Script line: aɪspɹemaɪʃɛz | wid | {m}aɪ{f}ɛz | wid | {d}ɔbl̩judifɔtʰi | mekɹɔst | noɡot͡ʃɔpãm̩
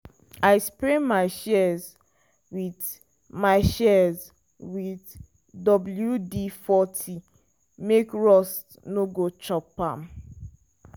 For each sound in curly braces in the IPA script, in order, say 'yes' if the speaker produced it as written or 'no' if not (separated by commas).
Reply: yes, no, yes